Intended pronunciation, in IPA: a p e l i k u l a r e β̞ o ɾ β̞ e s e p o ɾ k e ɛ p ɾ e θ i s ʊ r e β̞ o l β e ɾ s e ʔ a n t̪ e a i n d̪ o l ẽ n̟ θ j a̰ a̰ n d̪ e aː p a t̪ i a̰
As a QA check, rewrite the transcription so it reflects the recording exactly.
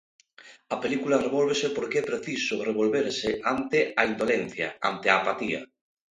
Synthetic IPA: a p e l i k u l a r e β̞ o l β̞ e s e p o ɾ k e ɛ p ɾ e θ i s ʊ r e β̞ o l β e ɾ s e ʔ a n t̪ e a i n d̪ o l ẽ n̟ θ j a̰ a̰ n t̪ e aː p a t̪ i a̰

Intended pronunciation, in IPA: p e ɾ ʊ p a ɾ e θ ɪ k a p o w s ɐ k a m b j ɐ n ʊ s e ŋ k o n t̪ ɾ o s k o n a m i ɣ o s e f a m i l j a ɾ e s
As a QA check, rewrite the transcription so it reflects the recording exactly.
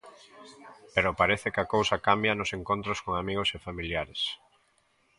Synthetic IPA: p e ɾ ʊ p a ɾ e θ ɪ k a k o w s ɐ k a m b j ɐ n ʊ s e ŋ k o n t̪ ɾ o s k o ŋ a m i ɣ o s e f a m i l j a ɾ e s

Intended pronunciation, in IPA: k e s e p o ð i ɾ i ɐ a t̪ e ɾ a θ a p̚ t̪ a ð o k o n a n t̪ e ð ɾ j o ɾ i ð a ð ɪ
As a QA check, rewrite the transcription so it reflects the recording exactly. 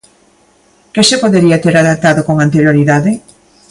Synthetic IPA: k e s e p o ð e ɾ i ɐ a t̪ e ɾ a ð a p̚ t̪ a ð o k o ŋ a n t̪ e ɾ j o ɾ i ð a ð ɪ

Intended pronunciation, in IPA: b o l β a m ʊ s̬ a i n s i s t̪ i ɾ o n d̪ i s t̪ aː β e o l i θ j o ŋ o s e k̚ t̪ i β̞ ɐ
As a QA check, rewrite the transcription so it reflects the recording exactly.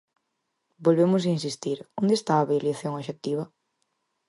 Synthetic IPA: b o l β e m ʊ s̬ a i n s i s t̪ i ɾ o n d̪ e s t̪ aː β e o l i θ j o ŋ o ʃ e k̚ t̪ i β̞ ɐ

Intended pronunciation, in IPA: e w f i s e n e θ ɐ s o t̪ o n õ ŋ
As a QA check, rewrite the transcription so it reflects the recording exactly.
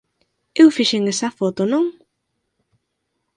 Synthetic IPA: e w f i ʃ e ŋ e s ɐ f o t̪ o n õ ŋ

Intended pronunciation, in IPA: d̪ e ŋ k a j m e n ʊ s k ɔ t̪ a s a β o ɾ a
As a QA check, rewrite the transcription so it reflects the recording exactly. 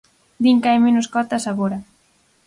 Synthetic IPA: d̪ i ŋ k a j m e n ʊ s k ɔ t̪ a s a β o ɾ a

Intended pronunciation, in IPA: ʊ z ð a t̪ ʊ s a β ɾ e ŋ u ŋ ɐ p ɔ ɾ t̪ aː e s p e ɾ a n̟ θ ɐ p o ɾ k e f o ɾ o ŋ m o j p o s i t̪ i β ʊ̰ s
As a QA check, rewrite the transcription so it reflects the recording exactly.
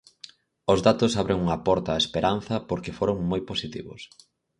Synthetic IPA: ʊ z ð a t̪ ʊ s a β ɾ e ŋ u ŋ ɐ p ɔ ɾ t̪ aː e s p e ɾ a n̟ θ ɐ p o ɾ k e f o ɾ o ŋ m o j p o s i t̪ i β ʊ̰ s

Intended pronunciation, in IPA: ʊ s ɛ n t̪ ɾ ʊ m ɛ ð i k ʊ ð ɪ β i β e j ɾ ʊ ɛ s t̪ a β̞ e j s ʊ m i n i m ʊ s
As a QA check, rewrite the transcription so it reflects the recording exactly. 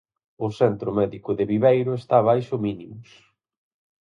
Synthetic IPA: ʊ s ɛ n t̪ ɾ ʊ m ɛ ð i k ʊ ð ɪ β i β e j ɾ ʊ e s t̪ a β̞ a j ʃ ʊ m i n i m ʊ s

